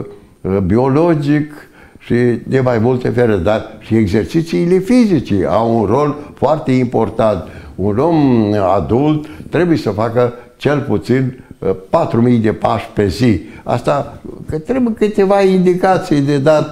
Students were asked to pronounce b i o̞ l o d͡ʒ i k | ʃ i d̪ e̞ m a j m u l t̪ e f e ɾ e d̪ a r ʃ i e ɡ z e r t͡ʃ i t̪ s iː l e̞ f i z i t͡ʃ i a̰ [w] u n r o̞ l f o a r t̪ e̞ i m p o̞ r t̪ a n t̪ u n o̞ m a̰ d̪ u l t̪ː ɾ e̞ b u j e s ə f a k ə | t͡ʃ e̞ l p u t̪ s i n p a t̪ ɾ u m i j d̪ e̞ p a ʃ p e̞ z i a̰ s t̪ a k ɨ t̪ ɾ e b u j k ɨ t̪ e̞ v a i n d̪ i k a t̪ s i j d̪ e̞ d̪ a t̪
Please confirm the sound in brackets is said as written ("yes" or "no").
yes